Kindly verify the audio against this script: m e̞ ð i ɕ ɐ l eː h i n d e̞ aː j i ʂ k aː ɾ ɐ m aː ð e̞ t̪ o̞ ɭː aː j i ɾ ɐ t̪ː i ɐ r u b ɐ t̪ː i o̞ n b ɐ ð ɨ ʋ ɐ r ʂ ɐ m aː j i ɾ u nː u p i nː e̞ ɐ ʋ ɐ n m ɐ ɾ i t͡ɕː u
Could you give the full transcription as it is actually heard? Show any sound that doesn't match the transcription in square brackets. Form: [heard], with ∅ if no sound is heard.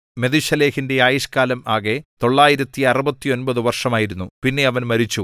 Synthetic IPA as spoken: m e̞ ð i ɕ ɐ l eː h i n d e̞ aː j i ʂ k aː [l] ɐ m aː [ɣ] e̞ t̪ o̞ ɭː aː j i ɾ ɐ t̪ː i ɐ r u b ɐ t̪ː i o̞ n b ɐ ð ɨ ʋ ɐ r ʂ ɐ m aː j i ɾ u nː u p i nː e̞ ɐ ʋ ɐ n m ɐ ɾ i t͡ɕː u

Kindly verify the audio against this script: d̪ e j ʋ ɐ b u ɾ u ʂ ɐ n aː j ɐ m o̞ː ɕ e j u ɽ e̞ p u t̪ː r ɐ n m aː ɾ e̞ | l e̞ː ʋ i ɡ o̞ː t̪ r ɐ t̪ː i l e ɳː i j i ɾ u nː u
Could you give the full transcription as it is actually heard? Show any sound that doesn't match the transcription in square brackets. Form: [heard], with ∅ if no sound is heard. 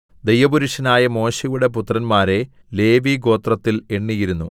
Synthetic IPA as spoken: d̪ e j ʋ ɐ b u ɾ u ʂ ɐ n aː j ɐ m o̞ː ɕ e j u ɽ e̞ p u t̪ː r ɐ n m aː ɾ e̞ | l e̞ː ʋ i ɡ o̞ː t̪ r ɐ t̪ː i l e ɳː i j i ɾ u nː u

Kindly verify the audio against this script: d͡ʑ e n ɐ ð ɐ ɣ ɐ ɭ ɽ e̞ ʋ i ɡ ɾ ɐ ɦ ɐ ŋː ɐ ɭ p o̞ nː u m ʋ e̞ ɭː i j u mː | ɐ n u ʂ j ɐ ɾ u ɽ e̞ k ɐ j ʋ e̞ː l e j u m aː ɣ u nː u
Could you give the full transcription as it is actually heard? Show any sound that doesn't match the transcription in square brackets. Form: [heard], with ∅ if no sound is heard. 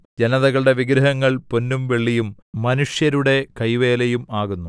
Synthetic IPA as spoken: d͡ʑ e n ɐ ð ɐ ɣ ɐ ɭ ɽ e̞ ʋ i ɡ ɾ ɐ ɦ ɐ ŋː ɐ ɭ p o̞ nː u m ʋ e̞ ɭː i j u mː | ɐ n u ʂ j ɐ ɾ u ɽ e̞ k ɐ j ʋ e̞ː l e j u m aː ɣ u nː u

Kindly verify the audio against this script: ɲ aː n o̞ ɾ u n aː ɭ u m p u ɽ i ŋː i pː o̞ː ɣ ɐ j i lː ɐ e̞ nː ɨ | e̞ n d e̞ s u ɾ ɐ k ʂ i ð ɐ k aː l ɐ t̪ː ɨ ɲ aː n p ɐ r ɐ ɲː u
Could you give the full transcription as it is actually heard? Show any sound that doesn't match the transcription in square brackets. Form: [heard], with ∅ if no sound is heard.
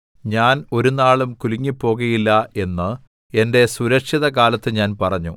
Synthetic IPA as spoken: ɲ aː n o̞ ɾ u n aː ɭ u m [k] u [l] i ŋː i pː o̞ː ɣ ɐ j i lː ɐ e̞ nː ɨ | e̞ n d e̞ s u ɾ ɐ k ʂ i ð ɐ k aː l ɐ t̪ː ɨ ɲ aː n p ɐ r ɐ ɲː u

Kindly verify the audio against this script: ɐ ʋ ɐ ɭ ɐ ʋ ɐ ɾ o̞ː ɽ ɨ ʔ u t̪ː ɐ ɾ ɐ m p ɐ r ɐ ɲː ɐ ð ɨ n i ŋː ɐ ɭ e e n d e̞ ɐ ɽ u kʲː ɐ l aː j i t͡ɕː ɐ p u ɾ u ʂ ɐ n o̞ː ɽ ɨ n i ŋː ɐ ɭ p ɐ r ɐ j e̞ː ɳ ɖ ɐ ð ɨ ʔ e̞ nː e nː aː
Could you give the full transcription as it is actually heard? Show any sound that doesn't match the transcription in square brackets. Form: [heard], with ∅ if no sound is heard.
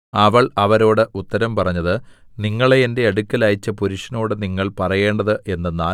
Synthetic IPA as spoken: ɐ ʋ ɐ ɭ ɐ ʋ ɐ ɾ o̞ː ɽ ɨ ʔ u t̪ː ɐ ɾ ɐ m p ɐ r ɐ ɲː ɐ ð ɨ n i ŋː ɐ ɭ e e n d e̞ ɐ ɽ u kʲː ɐ l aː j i t͡ɕː ɐ p u ɾ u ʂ ɐ n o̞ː ɽ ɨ n i ŋː ɐ ɭ p ɐ r ɐ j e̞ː ɳ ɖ ɐ ð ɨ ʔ e̞ nː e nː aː

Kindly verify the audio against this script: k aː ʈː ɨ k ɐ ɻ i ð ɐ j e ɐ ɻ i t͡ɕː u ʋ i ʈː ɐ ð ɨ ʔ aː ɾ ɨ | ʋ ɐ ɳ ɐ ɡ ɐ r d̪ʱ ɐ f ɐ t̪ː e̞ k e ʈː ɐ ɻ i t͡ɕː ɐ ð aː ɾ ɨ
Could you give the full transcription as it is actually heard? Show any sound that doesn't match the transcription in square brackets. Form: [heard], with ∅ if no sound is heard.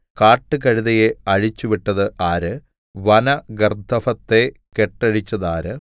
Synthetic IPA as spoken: k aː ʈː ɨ k ɐ ɻ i ð ɐ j e ɐ ɻ i t͡ɕː u ʋ i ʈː ɐ ð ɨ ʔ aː ɾ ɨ | ʋ ɐ [n] ɐ ɡ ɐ r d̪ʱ ɐ f ɐ t̪ː e̞ k e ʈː ɐ ɻ i t͡ɕː ɐ ð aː ɾ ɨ

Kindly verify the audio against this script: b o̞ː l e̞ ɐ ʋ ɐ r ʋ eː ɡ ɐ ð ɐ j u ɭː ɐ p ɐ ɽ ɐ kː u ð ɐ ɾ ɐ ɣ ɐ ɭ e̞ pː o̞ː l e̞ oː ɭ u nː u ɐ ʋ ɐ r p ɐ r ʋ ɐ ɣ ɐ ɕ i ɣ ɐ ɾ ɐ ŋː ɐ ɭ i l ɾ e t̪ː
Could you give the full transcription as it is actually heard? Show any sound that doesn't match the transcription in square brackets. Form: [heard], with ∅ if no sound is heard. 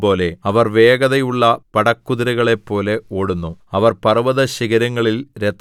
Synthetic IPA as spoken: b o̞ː l e̞ ɐ ʋ ɐ r ʋ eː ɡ ɐ ð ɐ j u ɭː ɐ p ɐ ɽ ɐ kː u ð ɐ ɾ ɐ ɣ ɐ ɭ e̞ pː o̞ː l e̞ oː [ɽ] u nː u ɐ ʋ ɐ r p ɐ r ʋ ɐ [ð] ɐ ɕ i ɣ ɐ ɾ ɐ ŋː ɐ ɭ i l ɾ e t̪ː

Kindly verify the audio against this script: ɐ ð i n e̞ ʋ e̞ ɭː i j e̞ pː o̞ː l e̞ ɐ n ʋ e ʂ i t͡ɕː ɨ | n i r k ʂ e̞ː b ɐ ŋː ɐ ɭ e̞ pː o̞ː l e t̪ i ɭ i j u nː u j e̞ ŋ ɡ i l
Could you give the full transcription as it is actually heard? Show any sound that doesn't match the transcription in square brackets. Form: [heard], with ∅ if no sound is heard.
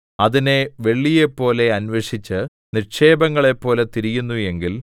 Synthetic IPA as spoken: ɐ ð i n e̞ ʋ e̞ ɭː i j e̞ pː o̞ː l e̞ ɐ n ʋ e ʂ i t͡ɕː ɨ | n i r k ʂ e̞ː b ɐ ŋː ɐ ɭ e̞ pː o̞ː l e t̪ i [ɾ] i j u nː u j e̞ ŋ ɡ i l

